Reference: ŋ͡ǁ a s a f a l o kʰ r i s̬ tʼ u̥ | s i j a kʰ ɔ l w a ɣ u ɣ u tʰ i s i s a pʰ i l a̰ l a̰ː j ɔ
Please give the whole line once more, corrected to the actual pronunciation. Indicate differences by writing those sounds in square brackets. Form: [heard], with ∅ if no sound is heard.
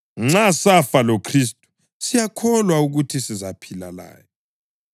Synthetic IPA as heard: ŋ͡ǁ a s a f a l o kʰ r i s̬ tʼ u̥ | s i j a kʰ ɔ l w a [∅] u ɣ u tʰ i s i [z] a pʰ i l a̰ l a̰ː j ɔ

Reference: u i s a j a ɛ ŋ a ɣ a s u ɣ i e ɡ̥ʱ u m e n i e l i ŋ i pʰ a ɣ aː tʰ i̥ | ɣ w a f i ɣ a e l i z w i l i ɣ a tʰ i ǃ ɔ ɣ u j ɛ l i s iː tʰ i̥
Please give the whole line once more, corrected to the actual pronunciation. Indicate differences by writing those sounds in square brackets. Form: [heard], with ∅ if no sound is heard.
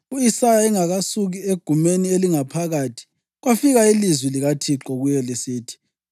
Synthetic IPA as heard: u i s a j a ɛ ŋ a ɣ a s u ɣ i e ɡ̥ʱ u m e n i e l i ŋ [a] pʰ a ɣ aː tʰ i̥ | ɣ w a f i ɣ a [i] l i z w i l i ɣ a tʰ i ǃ ɔ ɣ u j ɛ l i s iː tʰ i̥

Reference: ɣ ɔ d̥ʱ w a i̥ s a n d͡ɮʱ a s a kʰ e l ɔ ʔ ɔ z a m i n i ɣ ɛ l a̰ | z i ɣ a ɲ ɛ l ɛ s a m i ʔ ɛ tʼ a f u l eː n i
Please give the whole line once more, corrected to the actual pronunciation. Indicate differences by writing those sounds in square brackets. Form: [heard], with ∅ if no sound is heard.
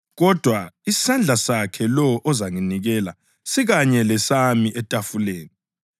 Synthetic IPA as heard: ɣ ɔ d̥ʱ w a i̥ s a n d͡ɮʱ a s a kʰ [ɛ] l ɔ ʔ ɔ z a [ŋ] i n i ɣ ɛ l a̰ | [s] i ɣ a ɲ ɛ l ɛ s a m i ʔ ɛ tʼ a f u l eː n i

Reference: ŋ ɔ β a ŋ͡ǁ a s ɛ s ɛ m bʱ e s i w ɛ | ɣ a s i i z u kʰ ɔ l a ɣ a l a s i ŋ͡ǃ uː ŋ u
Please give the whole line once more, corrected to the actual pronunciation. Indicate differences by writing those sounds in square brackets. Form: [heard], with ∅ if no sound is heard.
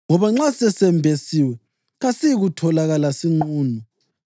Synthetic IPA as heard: ŋ ɔ β a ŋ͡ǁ a s ɛ s ɛ m bʱ e s i w ɛ | ɣ a s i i [ɣ] u [tʰ] ɔ l a ɣ a l a s i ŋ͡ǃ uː [n] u

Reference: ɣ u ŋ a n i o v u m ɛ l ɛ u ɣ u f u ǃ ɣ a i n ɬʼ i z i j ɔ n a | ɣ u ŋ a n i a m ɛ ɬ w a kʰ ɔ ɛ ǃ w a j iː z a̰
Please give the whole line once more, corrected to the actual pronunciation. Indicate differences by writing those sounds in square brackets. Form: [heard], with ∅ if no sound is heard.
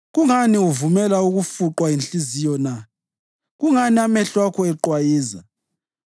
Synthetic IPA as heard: ɣ u ŋ a n i [u] v u m ɛ l [a] u ɣ u f u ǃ [w] a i n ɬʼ i z i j ɔ n a | ɣ u ŋ a n i a m ɛ ɬ w a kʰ ɔ ɛ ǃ w a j iː z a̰

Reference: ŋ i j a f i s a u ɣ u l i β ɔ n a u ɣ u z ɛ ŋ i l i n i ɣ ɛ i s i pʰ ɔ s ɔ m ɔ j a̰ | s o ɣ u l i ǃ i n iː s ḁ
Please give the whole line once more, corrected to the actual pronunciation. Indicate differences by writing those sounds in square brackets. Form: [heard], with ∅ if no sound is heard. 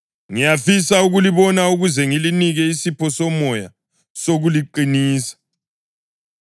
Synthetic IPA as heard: ŋ i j a f i s a u ɣ u l i β ɔ n a u ɣ u z ɛ ŋ i l i n i ɣ ɛ i s i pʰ ɔ s ɔ m ɔ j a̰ | s o ɣ u l i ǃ i n iː s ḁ

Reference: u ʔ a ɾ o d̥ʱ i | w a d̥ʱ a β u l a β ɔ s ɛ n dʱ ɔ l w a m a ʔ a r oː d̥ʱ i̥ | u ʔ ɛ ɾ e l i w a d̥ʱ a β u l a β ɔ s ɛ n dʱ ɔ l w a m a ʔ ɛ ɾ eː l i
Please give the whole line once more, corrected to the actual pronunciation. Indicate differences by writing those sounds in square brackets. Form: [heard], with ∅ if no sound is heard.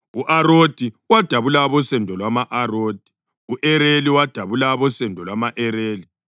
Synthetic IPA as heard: u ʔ a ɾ o d̥ʱ i | w a d̥ʱ a β u l a β ɔ s ɛ n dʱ ɔ l w a m a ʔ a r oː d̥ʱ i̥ | u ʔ ɛ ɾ e l i w a d̥ʱ a β u l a β ɔ s ɛ n dʱ ɔ l w a m a ʔ ɛ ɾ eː l i

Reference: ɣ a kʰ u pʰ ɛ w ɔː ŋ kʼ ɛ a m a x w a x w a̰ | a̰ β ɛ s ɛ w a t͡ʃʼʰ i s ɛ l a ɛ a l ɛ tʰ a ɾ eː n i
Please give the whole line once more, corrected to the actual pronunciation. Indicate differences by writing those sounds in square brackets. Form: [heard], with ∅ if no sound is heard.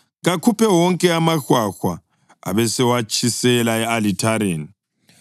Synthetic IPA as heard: ɣ a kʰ u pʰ ɛ w [ɔ] ŋ kʼ ɛ a m a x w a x w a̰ | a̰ β ɛ s ɛ w a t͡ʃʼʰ i s ɛ l a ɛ a l [i] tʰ a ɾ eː n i

